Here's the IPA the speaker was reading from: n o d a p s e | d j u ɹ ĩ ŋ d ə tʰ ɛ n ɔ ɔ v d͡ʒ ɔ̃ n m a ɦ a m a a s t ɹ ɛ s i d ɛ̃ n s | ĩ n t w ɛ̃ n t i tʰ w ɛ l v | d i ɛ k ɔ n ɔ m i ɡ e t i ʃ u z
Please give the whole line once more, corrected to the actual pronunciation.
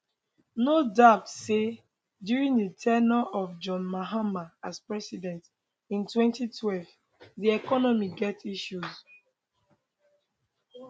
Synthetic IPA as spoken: n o d a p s e | d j u ɹ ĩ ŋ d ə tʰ ɛ n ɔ ɔ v d͡ʒ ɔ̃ n m a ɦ a m a a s p ɹ ɛ s i d ɛ̃ n t | ĩ n t w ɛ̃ n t i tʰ w ɛ l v | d i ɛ k ɔ n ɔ m i ɡ ɛ t i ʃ u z